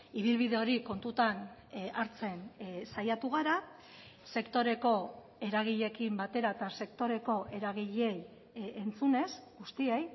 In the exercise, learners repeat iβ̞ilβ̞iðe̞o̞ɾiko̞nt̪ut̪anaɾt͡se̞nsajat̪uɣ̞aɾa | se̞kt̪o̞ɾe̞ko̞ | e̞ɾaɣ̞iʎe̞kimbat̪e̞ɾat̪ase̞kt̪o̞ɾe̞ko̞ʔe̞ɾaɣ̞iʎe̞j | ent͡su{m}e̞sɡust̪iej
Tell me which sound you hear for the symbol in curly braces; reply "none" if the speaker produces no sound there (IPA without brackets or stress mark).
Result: n